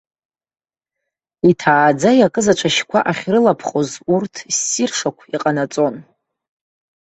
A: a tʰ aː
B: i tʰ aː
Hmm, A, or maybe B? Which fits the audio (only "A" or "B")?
B